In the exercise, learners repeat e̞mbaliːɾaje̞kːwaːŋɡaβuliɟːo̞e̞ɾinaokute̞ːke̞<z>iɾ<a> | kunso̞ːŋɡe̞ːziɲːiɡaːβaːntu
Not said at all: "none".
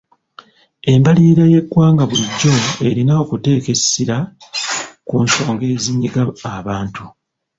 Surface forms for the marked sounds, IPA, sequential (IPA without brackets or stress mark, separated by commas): s, a